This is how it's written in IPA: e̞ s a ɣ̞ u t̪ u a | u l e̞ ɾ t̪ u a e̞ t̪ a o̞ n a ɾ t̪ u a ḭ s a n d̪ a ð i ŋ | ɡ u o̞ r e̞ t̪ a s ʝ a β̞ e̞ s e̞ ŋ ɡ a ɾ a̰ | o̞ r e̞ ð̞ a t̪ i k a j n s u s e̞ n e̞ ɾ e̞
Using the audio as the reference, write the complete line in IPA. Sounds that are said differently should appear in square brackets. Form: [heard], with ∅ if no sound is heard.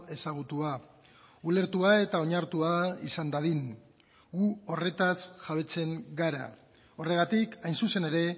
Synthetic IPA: e̞ s a ɣ̞ u t̪ u a | u l e̞ ɾ t̪ u a e̞ t̪ a o̞ [ɲ] a ɾ t̪ u a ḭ s a n d̪ a ð i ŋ | ɡ u o̞ r e̞ t̪ a s ʝ a β̞ e̞ [t͡s] e̞ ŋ ɡ a ɾ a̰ | o̞ r e̞ [ɣ̞] a t̪ i k a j n s u s e̞ n e̞ ɾ e̞

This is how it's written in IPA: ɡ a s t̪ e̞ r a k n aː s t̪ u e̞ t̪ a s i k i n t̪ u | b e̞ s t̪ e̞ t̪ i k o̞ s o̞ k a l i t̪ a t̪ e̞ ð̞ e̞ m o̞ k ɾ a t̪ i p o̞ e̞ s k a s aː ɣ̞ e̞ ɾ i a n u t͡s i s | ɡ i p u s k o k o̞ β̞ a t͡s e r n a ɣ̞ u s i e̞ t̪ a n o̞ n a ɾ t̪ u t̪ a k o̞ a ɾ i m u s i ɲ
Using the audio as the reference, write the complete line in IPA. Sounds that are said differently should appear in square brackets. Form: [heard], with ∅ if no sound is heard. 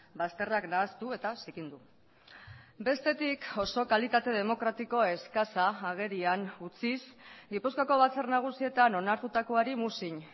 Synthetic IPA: [b] a s t̪ e̞ r a k n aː s t̪ u e̞ t̪ a s i k i n [d̪] u | b e̞ s t̪ e̞ t̪ i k o̞ s o̞ k a l i t̪ a t̪ e̞ ð̞ e̞ m o̞ k ɾ a t̪ i [k] o̞ e̞ s k a s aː ɣ̞ e̞ ɾ i a n u t͡s i s | ɡ i p u s k o k o̞ β̞ a t͡s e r n a ɣ̞ u s i e̞ t̪ a n o̞ n a ɾ t̪ u t̪ a k o̞ a ɾ i m u s i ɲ

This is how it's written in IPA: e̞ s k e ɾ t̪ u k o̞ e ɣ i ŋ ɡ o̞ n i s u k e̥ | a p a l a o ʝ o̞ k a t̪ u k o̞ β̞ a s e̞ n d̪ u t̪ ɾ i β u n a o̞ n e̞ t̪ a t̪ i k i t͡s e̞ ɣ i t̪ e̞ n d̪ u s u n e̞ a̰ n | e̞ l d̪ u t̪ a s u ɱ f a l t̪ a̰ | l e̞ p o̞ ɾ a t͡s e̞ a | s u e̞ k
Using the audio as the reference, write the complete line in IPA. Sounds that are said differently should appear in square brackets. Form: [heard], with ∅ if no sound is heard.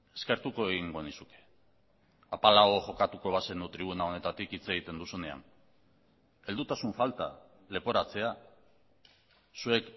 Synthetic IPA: e̞ s k e ɾ t̪ u k o̞ e ɣ i ŋ ɡ o̞ n i s u k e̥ | a p a l a o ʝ o̞ k a t̪ u k o̞ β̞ a s e̞ n d̪ u t̪ ɾ i β u n a o̞ n e̞ t̪ a t̪ i k i t͡s e̞ ɣ i t̪ e̞ n d̪ u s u n e̞ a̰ n | e̞ l d̪ u t̪ a s u ɱ f a l t̪ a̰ | l e̞ p o̞ ɾ a t͡s e̞ a | s u e̞ k

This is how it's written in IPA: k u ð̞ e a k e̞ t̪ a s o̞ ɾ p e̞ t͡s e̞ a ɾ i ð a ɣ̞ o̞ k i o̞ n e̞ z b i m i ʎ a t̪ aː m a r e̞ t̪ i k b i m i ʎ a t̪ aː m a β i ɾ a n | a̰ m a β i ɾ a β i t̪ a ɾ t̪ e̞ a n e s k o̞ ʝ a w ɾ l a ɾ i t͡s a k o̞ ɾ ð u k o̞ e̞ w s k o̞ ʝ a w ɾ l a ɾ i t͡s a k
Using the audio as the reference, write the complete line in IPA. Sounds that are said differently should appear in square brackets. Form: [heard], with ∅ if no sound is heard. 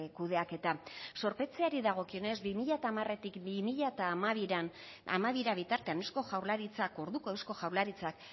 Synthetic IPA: k u ð̞ e a k e̞ t̪ a s o̞ ɾ p e̞ t͡s e̞ a ɾ i ð a ɣ̞ o̞ k i o̞ n e̞ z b i m i ʎ a t̪ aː m a r e̞ t̪ i k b i m i ʎ a t̪ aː m a β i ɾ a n | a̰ m a β i ɾ a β i t̪ a ɾ t̪ e̞ a n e s k o̞ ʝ a w ɾ l a ɾ i t͡s a k o̞ ɾ ð u k o̞ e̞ w s k o̞ ʝ a w ɾ l a ɾ i t͡s a k

